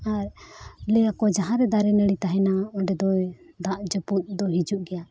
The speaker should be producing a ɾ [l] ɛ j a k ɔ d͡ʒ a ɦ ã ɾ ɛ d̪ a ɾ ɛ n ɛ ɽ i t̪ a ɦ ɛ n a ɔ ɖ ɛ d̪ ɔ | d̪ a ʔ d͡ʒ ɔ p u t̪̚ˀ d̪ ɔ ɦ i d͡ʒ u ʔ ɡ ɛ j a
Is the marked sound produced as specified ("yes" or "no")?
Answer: yes